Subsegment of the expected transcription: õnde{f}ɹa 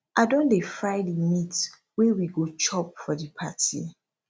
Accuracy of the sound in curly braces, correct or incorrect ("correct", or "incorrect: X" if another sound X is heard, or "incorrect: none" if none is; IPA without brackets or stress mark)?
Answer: correct